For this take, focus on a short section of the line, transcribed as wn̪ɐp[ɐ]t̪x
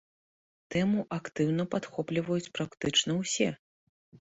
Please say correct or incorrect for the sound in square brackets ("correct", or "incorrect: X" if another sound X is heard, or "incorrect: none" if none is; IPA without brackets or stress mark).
incorrect: a